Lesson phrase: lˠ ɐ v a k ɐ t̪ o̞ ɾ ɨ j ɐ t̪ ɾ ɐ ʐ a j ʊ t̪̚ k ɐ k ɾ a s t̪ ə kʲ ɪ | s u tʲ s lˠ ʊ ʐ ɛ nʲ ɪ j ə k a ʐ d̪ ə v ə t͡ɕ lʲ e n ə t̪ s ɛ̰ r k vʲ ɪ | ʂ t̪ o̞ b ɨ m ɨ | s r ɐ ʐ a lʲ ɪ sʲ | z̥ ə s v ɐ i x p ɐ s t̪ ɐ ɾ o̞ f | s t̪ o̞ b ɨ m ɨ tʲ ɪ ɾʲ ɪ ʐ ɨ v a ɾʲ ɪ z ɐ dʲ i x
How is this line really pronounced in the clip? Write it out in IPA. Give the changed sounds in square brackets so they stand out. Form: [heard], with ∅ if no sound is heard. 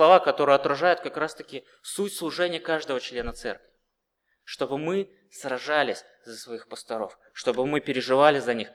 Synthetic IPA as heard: lˠ ɐ v a k ɐ t̪ o̞ ɾ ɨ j ɐ t̪ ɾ ɐ ʐ a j ʊ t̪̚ k ɐ k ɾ a s t̪ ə kʲ ɪ | s u tʲ s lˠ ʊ ʐ ɛ nʲ ɪ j ə k a ʐ d̪ ə v ə t͡ɕ lʲ e n ə t̪ s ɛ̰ r k vʲ ɪ | ʂ t̪ o̞ b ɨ m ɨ | s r ɐ ʐ a lʲ ɪ sʲ | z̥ ə s v ɐ i x p [ə] s t̪ ɐ ɾ o̞ f | [ʂ] t̪ o̞ b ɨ m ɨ [pʲ] ɪ ɾʲ ɪ ʐ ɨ v a [lʲ] ɪ z ɐ [nʲ] i x